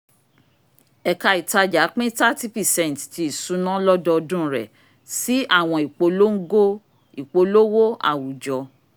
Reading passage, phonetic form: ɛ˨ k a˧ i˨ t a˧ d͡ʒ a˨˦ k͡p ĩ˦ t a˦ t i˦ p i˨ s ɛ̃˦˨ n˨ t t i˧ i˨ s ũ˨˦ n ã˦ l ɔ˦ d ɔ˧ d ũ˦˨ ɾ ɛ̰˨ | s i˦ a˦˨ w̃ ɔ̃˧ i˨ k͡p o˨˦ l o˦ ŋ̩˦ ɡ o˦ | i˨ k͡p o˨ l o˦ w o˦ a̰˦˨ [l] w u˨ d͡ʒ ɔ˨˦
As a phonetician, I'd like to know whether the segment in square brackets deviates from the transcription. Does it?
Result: yes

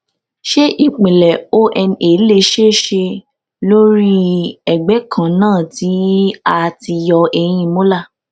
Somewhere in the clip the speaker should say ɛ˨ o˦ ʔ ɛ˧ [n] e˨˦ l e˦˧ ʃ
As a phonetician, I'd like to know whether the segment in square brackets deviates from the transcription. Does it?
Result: no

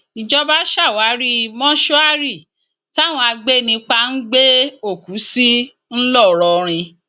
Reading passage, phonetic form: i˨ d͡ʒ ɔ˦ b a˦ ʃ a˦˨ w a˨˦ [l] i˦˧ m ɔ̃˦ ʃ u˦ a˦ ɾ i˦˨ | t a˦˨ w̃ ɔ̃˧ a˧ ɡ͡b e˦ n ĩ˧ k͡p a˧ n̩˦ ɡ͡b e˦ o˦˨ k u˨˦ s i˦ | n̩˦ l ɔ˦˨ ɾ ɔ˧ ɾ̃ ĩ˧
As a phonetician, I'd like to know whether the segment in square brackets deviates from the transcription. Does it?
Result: yes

